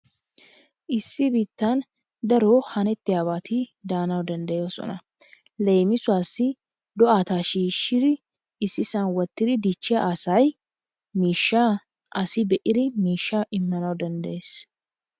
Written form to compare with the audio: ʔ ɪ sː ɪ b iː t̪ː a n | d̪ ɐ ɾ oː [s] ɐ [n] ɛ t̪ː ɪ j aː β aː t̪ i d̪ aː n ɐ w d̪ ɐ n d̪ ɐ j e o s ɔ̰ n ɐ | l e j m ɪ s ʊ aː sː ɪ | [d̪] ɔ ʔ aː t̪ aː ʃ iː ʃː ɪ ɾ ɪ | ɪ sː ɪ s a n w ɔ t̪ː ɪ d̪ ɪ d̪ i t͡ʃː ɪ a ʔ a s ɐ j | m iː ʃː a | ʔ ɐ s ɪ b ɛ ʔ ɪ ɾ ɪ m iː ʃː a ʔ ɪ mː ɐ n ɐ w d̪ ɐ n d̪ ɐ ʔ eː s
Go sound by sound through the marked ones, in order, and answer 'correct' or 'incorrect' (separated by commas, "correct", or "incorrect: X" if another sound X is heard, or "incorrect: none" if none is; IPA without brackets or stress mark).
incorrect: h, correct, correct